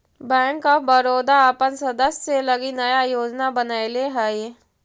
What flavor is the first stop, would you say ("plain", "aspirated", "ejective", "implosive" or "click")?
plain